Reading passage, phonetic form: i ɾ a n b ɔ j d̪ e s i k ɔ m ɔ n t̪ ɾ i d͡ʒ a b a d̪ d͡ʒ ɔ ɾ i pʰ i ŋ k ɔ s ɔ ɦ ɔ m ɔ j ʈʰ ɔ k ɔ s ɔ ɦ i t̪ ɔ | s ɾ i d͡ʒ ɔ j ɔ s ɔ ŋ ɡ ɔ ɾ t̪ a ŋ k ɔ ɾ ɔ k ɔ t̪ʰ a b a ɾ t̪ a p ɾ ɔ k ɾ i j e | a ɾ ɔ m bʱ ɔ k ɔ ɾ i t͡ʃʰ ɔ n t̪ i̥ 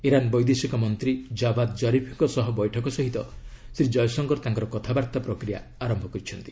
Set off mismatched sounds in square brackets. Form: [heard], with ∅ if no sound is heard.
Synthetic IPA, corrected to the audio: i ɾ a n b ɔ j d̪ e s i k ɔ m ɔ n t̪ ɾ i d͡ʒ a b a d̪ d͡ʒ ɔ ɾ i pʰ i ŋ k ɔ s ɔ ɦ ɔ [b] ɔ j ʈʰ ɔ k ɔ s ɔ ɦ i t̪ ɔ | s ɾ i d͡ʒ ɔ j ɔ s ɔ ŋ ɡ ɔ ɾ t̪ a ŋ k ɔ ɾ ɔ k ɔ t̪ʰ a b a ɾ t̪ a p ɾ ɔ k ɾ i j [a] | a ɾ ɔ m bʱ ɔ k ɔ ɾ i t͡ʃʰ ɔ n t̪ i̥